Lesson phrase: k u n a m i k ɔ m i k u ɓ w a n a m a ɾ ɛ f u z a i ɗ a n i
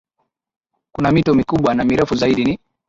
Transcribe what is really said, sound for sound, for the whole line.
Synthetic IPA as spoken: k u n a m i t ɔ m i k u ɓ w a n a m i ɾ ɛ f u z a i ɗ i n i

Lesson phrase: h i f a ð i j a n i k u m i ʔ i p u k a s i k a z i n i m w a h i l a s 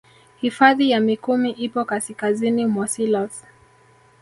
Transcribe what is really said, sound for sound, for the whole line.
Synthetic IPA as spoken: h i f a ð i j a m i k u m i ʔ i p ɔ k a s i k a z i n i m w a s i l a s

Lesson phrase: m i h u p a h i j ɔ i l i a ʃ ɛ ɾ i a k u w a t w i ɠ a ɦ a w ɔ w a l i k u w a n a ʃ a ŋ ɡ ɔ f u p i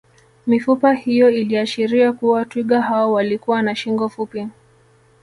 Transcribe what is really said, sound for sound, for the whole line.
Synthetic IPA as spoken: m i f u p a h i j ɔ i l i a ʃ i ɾ i a k u w a t w i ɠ a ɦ a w ɔ w a l i k u w a n a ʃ i ŋ ɡ ɔ f u p i

